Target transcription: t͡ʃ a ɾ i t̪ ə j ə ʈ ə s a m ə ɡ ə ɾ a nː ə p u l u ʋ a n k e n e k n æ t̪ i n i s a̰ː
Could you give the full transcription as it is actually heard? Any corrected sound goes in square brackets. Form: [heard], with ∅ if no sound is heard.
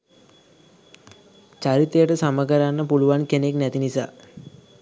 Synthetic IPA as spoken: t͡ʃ a ɾ i t̪ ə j ə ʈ ə s a m ə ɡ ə ɾ a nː ə p u l u ʋ a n k e n e k n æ t̪ i n i s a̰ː